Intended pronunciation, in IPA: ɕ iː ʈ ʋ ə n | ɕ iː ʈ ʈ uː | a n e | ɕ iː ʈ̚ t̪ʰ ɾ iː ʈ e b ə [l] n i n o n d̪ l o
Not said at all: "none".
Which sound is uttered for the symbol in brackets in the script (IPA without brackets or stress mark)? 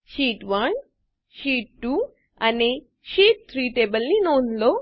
l